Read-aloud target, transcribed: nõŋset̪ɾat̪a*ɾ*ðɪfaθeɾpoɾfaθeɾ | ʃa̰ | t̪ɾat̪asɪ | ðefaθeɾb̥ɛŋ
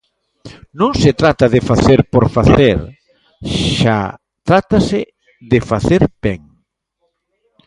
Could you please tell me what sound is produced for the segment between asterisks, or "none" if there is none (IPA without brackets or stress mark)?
none